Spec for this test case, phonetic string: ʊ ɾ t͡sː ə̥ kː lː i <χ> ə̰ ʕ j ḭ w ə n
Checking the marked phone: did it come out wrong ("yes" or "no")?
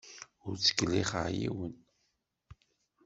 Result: no